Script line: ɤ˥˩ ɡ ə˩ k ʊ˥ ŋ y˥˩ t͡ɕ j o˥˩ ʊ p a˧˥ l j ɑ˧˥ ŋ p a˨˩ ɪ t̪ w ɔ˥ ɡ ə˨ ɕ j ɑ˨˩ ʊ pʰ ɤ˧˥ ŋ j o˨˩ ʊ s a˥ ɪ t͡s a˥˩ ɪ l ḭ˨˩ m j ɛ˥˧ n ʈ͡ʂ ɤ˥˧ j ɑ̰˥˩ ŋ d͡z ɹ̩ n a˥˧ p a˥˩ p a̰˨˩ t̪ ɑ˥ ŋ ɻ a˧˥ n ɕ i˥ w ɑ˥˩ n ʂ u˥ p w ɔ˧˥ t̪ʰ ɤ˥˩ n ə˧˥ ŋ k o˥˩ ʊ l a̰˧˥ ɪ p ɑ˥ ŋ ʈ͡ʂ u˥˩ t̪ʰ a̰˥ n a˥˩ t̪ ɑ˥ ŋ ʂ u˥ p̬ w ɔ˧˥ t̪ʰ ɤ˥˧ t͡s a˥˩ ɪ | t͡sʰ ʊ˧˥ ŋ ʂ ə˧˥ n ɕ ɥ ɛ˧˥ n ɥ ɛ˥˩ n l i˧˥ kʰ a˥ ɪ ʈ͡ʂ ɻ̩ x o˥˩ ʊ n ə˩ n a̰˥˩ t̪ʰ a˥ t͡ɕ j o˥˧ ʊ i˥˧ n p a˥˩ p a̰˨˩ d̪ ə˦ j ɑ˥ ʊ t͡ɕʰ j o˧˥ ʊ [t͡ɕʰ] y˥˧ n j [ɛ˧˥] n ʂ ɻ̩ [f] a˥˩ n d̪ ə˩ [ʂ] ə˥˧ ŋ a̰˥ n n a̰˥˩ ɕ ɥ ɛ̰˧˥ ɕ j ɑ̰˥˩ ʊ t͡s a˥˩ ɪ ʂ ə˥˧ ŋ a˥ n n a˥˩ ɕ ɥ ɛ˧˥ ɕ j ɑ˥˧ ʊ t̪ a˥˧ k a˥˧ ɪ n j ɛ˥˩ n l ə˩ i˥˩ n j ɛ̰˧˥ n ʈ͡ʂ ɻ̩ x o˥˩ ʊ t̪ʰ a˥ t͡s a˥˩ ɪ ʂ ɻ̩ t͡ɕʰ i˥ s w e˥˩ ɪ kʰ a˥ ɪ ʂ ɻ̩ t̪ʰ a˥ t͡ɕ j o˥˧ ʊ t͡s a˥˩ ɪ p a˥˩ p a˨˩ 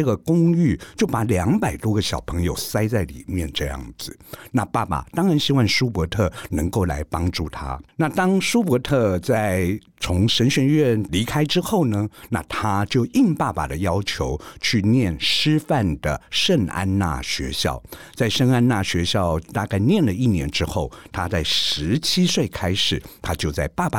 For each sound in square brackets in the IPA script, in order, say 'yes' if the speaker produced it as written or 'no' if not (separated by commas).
yes, no, yes, yes